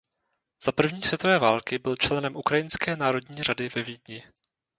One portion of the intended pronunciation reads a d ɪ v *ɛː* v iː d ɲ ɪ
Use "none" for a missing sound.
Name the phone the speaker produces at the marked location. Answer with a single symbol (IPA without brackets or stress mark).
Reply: ɛ